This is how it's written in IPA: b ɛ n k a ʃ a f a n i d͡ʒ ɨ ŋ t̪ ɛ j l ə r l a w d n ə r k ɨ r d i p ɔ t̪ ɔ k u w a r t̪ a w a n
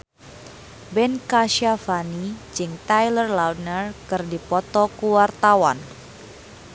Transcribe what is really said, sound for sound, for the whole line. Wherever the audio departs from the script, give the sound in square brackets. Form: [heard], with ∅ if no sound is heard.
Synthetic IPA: b ɛ n k a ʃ a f a n i d͡ʒ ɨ ŋ t̪ [a] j l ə r l a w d n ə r k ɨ r d i p ɔ t̪ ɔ k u w a r t̪ a w a n